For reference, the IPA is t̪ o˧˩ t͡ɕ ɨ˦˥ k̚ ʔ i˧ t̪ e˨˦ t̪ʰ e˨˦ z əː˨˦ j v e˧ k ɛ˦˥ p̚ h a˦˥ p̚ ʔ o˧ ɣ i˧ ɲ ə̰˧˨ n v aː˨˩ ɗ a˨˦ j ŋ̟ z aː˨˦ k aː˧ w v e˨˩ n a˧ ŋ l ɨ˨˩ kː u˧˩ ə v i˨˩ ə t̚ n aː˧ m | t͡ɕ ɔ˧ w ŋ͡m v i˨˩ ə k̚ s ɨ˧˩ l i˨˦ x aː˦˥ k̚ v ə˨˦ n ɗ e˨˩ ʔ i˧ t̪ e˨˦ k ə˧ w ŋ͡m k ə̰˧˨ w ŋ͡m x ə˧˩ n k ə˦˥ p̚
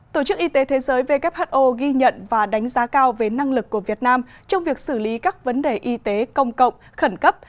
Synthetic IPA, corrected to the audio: t̪ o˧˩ t͡ɕ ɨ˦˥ k̚ ʔ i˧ t̪ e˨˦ t̪ʰ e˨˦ z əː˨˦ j v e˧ k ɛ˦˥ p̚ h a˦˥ t̚ ʔ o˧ ɣ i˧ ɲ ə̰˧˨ n v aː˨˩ ɗ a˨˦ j ŋ̟ z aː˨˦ k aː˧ w v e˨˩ n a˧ ŋ l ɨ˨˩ kː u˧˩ ə v i˨˩ ə t̚ n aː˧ m | t͡ɕ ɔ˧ w ŋ͡m v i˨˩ ə k̚ s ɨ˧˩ l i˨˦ k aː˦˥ k̚ v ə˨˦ n ɗ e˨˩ ʔ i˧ t̪ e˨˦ k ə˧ w ŋ͡m k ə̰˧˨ w ŋ͡m x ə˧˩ n k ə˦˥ p̚